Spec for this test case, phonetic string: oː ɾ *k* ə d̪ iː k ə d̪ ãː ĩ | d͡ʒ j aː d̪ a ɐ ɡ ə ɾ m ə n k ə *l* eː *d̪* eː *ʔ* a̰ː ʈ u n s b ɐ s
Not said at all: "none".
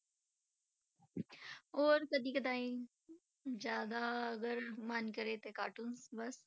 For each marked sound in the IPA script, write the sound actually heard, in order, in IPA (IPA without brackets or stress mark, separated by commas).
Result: k, ɾ, t̪, k